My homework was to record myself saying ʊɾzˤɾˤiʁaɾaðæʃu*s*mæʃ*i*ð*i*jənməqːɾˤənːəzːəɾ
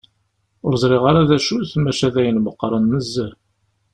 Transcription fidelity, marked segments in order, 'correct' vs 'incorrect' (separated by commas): incorrect, incorrect, incorrect